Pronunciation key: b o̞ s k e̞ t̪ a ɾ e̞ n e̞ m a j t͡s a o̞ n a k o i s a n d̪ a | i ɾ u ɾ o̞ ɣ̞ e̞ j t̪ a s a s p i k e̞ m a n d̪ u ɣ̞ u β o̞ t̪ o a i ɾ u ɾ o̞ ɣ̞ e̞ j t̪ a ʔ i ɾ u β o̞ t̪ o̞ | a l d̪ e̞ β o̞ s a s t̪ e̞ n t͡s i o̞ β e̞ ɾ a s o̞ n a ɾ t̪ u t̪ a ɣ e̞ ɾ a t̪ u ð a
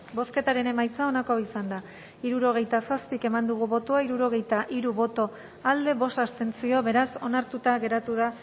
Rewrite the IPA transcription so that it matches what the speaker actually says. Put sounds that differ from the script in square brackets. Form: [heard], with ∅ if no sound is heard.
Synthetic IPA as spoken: b o̞ s k e̞ t̪ a ɾ e̞ n e̞ m a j t͡s a o̞ n a k o i s a n d̪ a | i ɾ u ɾ o̞ ɣ̞ e̞ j t̪ a s a s p i k e̞ m a n d̪ u ɣ̞ u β o̞ t̪ o a i ɾ u ɾ o̞ ɣ̞ e̞ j t̪ a ʔ i ɾ u β o̞ t̪ o̞ | a l d̪ e̞ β o̞ s a s t̪ e̞ n t͡s i o̞ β e̞ ɾ a s o̞ n a ɾ t̪ u t̪ a ɣ e̞ ɾ a t̪ u ð a